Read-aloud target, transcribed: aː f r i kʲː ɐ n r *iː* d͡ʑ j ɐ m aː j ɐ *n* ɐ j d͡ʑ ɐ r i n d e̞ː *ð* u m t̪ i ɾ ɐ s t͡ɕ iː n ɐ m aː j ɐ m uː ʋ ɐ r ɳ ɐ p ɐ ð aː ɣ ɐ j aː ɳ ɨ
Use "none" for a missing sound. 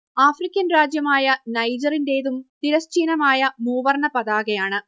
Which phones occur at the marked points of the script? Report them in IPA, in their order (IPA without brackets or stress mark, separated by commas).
aː, n, ð